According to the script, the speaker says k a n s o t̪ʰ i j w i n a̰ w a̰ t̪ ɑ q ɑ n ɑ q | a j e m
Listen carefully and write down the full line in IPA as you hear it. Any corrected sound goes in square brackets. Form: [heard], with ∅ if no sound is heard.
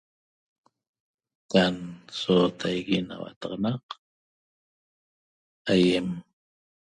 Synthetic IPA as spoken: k a n s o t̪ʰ [a] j [ɣ] i n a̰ w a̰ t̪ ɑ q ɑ n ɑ q | a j e m